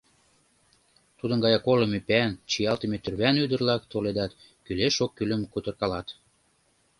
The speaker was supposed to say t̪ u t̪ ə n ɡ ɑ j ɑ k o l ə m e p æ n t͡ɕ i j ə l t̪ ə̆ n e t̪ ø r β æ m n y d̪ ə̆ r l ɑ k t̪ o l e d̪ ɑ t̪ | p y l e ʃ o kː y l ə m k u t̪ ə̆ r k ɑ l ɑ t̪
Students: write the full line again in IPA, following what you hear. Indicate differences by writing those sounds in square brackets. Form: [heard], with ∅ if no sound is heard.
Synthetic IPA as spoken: t̪ u [d̪] ə n ɡ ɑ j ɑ k o l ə m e p æ n t͡ɕ i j [ɑ] l t̪ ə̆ [m] e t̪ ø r β æ [∅] n y d̪ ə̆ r l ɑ k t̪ o l e d̪ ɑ t̪ | [k] y l e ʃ o kː y l ə m k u t̪ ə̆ r k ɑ l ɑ t̪